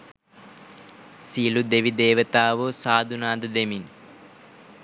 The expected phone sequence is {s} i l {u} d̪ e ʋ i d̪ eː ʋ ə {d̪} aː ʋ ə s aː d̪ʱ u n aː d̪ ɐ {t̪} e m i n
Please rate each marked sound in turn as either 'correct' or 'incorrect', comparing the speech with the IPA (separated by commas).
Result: correct, correct, incorrect, incorrect